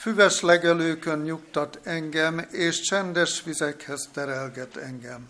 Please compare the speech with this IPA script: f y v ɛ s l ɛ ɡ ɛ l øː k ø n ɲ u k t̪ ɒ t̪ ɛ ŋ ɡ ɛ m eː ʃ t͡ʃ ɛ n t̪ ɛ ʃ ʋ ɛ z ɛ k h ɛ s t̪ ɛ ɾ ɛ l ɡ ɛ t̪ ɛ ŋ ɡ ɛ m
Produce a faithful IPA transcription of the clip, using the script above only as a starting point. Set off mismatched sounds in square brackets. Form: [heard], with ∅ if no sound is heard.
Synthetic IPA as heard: f y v ɛ [ʃ] l ɛ ɡ ɛ l øː k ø n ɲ u k t̪ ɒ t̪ ɛ ŋ ɡ ɛ m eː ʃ t͡ʃ ɛ n [d̪] ɛ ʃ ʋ [i] z ɛ k h ɛ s t̪ ɛ ɾ ɛ l ɡ ɛ t̪ ɛ ŋ ɡ ɛ m